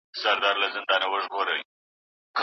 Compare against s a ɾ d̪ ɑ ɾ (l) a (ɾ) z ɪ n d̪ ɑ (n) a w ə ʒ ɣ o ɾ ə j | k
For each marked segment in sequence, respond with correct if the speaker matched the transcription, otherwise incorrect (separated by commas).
correct, incorrect, correct